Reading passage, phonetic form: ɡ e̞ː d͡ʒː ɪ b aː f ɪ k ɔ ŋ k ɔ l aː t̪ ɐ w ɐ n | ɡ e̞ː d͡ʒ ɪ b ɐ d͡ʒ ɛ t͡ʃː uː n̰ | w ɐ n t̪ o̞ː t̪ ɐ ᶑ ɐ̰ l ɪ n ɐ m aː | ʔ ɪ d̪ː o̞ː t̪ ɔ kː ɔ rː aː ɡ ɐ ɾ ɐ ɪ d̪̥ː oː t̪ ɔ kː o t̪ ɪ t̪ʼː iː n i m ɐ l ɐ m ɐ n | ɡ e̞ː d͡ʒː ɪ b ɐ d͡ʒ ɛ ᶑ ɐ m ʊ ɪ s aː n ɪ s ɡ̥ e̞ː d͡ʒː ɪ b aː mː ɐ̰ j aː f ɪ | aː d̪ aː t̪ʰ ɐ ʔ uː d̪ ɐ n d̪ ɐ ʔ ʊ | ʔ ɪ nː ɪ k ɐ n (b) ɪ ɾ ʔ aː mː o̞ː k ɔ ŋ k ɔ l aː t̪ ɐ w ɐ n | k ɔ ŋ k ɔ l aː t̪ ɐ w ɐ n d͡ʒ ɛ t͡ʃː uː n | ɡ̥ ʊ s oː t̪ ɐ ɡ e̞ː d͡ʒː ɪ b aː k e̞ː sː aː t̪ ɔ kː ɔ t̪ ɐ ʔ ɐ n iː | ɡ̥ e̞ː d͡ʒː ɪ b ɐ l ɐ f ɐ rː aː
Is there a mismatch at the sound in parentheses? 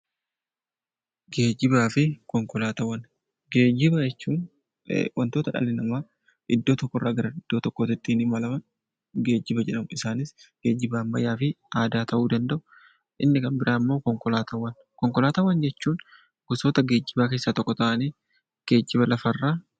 no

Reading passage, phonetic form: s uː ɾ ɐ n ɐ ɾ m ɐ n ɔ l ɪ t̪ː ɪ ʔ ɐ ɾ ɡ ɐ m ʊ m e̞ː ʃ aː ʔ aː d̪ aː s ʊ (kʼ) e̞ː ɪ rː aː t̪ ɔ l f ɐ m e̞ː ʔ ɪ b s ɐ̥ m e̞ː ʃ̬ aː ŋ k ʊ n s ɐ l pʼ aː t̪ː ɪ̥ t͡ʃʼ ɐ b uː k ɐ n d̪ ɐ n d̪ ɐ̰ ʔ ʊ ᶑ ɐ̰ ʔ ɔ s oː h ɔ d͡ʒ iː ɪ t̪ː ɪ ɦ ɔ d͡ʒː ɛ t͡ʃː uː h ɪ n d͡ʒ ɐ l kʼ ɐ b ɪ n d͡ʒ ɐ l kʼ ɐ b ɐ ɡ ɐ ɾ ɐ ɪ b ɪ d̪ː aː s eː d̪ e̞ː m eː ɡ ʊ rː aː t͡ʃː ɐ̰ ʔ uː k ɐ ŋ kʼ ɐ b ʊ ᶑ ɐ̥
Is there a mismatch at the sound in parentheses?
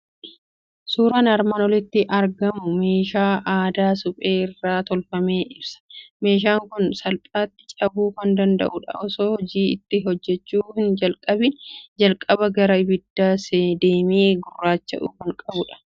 yes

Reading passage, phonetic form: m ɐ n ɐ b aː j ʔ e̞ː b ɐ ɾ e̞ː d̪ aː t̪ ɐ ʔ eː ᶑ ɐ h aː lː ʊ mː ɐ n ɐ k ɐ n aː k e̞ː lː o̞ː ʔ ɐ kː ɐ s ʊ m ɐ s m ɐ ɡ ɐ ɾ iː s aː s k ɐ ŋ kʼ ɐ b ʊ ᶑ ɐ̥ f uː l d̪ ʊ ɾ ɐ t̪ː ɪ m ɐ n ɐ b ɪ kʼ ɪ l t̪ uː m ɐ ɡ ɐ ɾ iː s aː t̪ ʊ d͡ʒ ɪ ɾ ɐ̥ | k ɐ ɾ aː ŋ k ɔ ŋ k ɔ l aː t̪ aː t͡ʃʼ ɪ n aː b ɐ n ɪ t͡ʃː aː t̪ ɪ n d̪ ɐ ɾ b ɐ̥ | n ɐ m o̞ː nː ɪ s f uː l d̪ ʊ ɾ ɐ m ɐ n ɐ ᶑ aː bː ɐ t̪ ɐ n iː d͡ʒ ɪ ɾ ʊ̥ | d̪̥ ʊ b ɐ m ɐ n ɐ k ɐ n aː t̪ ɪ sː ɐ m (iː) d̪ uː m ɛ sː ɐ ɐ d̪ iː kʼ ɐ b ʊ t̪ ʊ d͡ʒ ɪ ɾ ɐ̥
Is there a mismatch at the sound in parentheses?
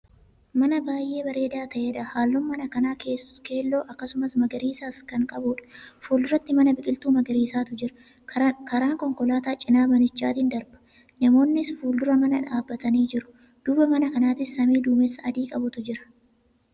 no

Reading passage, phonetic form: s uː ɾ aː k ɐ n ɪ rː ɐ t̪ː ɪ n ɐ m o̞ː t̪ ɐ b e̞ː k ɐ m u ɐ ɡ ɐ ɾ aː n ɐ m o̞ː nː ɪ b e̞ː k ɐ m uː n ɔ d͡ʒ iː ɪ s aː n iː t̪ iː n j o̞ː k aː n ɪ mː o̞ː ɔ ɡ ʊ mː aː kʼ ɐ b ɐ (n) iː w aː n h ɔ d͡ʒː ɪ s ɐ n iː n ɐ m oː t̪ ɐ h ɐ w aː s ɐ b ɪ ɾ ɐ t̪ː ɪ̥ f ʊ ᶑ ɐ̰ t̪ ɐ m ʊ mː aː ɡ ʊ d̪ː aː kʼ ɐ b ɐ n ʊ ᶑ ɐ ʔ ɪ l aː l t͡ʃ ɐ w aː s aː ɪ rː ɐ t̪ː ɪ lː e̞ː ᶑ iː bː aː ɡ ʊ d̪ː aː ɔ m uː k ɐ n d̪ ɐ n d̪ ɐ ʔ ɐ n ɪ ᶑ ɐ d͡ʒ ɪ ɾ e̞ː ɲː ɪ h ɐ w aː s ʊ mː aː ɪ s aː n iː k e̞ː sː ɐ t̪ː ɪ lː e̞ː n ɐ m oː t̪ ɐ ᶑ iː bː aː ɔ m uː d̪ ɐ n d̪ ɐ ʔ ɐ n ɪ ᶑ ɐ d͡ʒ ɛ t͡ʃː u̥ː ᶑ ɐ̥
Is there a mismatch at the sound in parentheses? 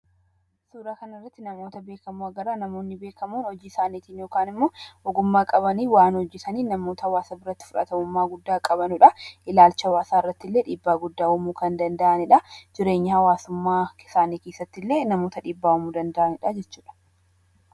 no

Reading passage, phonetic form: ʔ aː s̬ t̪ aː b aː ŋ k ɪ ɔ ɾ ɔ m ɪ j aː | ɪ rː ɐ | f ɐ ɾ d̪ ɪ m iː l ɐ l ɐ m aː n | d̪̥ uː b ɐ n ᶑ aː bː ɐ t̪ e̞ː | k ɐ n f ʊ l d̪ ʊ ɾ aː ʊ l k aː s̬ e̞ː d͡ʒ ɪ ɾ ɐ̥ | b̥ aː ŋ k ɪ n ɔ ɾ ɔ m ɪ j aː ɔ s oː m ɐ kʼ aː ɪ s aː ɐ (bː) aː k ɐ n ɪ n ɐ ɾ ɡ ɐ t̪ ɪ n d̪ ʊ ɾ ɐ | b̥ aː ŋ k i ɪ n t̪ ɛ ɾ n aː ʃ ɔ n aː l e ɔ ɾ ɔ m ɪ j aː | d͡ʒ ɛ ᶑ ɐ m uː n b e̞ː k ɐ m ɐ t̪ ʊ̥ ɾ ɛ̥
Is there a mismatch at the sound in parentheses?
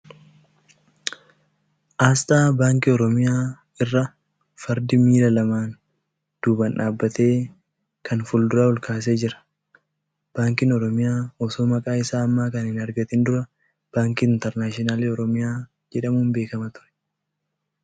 yes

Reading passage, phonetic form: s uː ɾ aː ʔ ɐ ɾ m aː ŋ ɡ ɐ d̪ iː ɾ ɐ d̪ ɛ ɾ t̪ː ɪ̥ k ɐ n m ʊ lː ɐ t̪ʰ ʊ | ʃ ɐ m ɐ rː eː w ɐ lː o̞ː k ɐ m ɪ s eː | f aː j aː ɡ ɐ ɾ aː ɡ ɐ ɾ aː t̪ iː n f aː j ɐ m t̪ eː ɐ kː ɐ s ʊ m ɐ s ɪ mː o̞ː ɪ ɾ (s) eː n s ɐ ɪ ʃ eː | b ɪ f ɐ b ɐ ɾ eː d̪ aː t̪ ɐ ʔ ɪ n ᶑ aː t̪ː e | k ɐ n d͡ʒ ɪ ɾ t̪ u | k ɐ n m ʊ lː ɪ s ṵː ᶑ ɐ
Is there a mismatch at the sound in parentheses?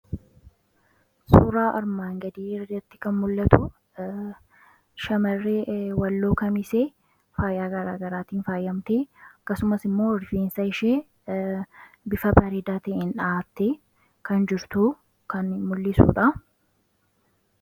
yes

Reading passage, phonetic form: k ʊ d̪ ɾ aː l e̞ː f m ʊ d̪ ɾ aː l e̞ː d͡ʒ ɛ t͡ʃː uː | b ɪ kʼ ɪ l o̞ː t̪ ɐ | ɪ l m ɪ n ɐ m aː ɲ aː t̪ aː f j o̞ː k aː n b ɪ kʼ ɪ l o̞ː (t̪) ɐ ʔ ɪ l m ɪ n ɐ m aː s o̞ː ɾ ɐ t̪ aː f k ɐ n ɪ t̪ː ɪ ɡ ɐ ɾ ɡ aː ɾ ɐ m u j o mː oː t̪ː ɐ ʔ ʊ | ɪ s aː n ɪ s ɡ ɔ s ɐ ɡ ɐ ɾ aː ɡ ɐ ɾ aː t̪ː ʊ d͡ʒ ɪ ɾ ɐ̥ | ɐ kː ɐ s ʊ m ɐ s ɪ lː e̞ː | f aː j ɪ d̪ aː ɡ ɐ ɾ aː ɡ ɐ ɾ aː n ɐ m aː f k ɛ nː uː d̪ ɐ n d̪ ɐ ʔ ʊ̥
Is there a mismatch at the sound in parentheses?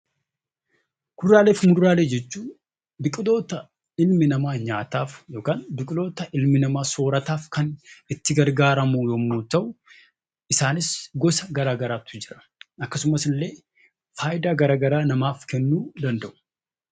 no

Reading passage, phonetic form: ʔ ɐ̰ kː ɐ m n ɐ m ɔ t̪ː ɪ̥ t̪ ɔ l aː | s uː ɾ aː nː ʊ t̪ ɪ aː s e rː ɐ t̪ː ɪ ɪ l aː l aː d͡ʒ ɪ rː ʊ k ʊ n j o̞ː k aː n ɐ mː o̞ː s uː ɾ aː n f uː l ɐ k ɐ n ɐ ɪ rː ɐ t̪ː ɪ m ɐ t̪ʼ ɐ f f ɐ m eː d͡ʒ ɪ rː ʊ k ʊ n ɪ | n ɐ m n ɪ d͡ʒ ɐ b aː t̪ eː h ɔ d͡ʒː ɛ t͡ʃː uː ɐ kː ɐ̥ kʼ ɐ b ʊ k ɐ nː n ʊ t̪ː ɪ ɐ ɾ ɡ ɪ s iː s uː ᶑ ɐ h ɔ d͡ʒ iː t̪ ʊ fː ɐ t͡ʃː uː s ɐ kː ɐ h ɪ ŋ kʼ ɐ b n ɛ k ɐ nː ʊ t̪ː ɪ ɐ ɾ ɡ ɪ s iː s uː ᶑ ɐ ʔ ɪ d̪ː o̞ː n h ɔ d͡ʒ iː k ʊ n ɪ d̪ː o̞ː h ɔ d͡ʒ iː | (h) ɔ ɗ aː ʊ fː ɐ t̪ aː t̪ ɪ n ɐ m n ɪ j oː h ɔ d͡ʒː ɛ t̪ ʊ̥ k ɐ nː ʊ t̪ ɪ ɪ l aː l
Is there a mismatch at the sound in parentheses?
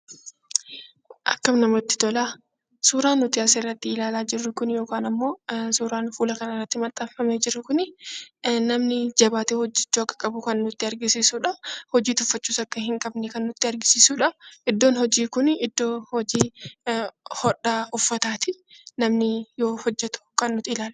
no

